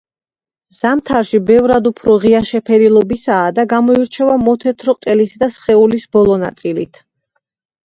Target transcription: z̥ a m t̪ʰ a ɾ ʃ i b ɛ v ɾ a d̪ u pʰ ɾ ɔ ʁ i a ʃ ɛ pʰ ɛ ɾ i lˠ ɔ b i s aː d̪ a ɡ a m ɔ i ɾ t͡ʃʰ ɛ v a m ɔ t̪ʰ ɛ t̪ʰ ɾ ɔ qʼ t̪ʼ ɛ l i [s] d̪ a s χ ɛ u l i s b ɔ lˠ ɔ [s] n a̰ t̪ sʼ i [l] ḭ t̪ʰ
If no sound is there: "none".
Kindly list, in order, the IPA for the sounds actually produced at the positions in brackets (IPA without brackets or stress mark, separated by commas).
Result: s, none, l